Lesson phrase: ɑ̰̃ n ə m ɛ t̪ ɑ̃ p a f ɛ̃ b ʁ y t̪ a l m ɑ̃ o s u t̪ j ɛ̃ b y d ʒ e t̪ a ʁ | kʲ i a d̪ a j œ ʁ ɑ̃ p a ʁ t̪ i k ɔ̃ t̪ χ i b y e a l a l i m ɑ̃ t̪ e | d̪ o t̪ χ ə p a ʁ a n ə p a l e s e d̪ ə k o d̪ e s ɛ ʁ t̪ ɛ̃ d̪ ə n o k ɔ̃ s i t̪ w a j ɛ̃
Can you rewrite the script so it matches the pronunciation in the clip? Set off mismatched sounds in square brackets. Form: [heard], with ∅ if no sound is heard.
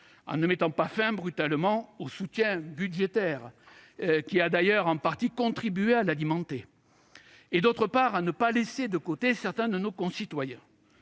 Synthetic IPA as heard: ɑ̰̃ n ə m ɛ t̪ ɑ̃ p a f ɛ̃ b ʁ y t̪ a l m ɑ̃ o s u t̪ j ɛ̃ b y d ʒ e t̪ [ɛ] ʁ | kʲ i a d̪ a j œ ʁ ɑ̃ p a ʁ t̪ i k ɔ̃ t̪ χ i b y e a l a l i m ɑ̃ t̪ e | d̪ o t̪ χ ə p a ʁ a n ə p a l e s e d̪ ə k o [t̪] e s ɛ ʁ t̪ ɛ̃ d̪ ə n o k ɔ̃ s i t̪ w a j ɛ̃

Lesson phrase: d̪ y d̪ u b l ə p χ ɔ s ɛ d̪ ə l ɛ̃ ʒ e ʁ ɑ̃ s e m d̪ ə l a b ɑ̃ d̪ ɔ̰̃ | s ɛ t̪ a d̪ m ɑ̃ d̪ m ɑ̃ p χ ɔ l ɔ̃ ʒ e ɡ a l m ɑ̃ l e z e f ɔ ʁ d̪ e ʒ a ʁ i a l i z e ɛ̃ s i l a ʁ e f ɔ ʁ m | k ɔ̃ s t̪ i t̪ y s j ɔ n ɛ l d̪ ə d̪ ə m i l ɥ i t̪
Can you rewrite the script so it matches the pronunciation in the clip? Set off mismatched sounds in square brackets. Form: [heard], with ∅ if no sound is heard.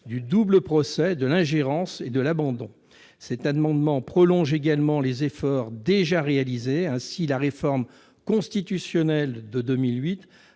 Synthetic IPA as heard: d̪ y d̪ u b l ə p χ ɔ s ɛ d̪ ə l ɛ̃ ʒ e ʁ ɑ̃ s e [∅] d̪ ə l a b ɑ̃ d̪ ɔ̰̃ | s ɛ t̪ a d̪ m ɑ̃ d̪ m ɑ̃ p χ ɔ l ɔ̃ ʒ e ɡ a l m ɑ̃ l e z e f ɔ ʁ d̪ e ʒ a ʁ [e] a l i z e ɛ̃ s i l a ʁ e f ɔ ʁ m | k ɔ̃ s t̪ i t̪ y s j ɔ n ɛ l d̪ ə d̪ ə m i l ɥ i t̪

